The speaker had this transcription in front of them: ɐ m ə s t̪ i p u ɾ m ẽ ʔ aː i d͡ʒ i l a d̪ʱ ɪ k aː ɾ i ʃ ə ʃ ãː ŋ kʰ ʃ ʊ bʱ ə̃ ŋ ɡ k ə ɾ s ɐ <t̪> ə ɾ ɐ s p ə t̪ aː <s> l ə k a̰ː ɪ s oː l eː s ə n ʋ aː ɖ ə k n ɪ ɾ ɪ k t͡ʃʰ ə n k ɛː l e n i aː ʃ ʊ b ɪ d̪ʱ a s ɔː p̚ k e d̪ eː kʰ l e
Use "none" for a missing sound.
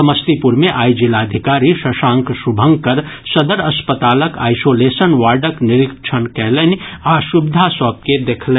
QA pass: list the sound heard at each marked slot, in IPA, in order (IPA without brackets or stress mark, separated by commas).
d̪, none